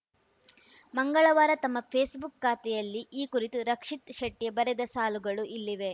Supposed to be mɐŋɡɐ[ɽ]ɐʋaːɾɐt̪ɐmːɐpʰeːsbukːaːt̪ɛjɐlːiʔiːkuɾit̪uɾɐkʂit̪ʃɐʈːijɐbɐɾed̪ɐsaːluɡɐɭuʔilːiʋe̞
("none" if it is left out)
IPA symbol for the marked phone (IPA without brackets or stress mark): ɭ